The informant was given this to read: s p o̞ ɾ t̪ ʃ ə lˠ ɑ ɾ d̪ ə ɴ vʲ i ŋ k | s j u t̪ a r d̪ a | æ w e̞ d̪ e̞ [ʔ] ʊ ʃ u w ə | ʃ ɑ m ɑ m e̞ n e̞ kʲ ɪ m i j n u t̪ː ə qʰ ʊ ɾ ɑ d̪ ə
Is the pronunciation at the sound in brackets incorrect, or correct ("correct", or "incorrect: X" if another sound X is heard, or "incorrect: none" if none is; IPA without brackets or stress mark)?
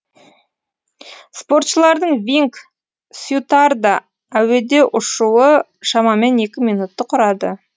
correct